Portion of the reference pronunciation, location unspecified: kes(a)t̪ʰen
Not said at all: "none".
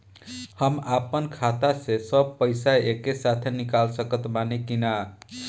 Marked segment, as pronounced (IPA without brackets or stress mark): a